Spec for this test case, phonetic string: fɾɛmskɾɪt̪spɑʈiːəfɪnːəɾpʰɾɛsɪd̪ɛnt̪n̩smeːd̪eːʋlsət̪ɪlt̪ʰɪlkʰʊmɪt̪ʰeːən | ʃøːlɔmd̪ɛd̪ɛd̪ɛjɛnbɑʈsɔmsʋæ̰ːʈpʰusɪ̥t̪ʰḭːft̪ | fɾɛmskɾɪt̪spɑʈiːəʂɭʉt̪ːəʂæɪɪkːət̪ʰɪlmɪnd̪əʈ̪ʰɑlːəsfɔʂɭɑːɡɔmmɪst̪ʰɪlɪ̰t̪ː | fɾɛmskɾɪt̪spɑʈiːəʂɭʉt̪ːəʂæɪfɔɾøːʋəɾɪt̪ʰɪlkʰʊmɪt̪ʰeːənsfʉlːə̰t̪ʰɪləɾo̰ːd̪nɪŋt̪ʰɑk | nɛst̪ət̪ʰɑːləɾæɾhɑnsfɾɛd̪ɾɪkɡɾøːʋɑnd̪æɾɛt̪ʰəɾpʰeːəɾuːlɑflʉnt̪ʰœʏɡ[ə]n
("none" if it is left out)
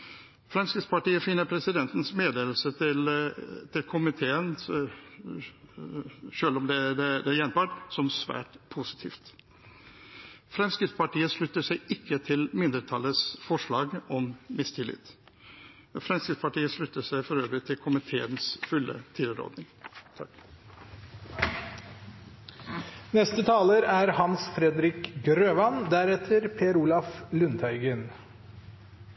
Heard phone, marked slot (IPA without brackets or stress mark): ə